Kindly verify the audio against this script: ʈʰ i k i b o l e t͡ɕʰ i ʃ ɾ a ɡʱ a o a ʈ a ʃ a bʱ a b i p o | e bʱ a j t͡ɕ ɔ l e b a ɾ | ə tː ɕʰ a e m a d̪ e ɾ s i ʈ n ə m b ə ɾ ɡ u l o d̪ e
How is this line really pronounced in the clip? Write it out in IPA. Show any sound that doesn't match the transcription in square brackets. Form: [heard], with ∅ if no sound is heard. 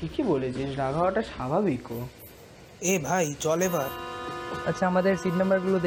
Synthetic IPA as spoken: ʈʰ i k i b o l e t͡ɕʰ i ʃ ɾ a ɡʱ a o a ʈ a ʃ a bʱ a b i [k] o | e bʱ a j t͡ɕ ɔ l e b a ɾ | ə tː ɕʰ a [a] m a d̪ e ɾ s i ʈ n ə m b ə ɾ ɡ u l o d̪ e